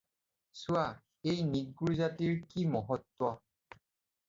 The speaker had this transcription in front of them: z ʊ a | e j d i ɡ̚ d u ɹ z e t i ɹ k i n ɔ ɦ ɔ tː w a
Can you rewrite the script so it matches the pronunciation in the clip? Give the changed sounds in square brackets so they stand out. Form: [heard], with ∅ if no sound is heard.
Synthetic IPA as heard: [s] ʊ a | e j [n] i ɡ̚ [ɡ] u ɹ z [a] t i ɹ k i [m] ɔ ɦ ɔ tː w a